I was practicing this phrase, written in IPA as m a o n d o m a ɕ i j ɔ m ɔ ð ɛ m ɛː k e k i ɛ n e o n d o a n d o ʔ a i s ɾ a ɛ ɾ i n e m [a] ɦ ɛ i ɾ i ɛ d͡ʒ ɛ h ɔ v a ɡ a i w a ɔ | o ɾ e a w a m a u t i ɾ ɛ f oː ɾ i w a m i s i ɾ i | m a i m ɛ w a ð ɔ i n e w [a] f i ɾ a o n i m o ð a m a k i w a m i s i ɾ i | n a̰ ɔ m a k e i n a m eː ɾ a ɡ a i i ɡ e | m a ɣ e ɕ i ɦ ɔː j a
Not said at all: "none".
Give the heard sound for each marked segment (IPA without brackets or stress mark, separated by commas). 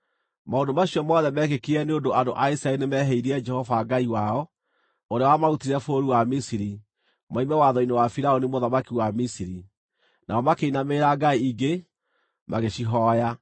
ɛ, a